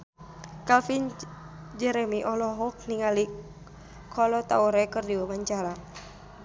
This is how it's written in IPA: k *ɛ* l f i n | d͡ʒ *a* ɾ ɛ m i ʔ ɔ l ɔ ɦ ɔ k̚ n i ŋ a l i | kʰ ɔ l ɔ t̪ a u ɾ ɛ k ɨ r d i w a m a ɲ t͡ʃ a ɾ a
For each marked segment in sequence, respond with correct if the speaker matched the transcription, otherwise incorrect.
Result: incorrect: a, incorrect: ɛ

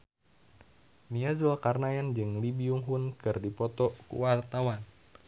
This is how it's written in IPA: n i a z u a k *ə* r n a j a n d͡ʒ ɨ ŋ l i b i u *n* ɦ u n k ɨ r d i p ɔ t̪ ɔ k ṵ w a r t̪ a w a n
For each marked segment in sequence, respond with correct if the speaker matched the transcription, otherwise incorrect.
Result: incorrect: a, incorrect: ŋ

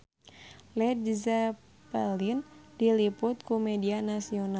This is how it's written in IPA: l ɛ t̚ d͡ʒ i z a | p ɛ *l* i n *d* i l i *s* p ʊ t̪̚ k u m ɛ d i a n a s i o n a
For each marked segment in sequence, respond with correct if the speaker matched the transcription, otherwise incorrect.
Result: correct, correct, incorrect: none

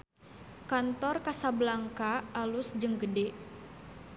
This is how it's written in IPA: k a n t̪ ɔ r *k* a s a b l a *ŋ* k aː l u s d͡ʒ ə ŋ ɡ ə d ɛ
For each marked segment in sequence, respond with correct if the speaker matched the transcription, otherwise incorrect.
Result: correct, correct

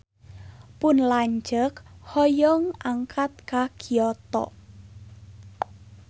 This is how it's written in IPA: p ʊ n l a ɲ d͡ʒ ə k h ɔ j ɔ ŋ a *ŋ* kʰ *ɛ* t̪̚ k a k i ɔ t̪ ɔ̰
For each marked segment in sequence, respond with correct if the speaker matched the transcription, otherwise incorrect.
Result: correct, incorrect: a

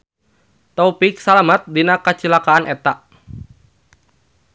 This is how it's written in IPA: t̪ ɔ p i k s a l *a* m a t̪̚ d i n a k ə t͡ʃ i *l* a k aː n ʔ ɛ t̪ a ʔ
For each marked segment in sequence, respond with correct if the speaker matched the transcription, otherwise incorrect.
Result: correct, correct

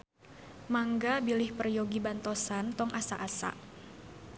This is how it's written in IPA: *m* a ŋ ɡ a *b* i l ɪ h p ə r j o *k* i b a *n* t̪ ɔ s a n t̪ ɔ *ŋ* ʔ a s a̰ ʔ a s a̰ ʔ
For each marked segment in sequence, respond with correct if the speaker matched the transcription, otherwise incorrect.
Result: correct, correct, incorrect: ɡ, correct, correct

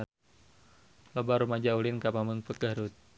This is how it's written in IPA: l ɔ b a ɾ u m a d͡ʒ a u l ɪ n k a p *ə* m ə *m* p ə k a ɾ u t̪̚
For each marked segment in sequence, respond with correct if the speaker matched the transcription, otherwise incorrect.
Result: incorrect: a, incorrect: ŋ

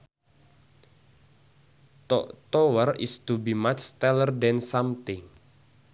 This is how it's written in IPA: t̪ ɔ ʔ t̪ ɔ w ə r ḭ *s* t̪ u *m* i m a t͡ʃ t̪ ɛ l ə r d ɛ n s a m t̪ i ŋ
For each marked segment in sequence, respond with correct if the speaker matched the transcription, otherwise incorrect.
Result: correct, incorrect: b

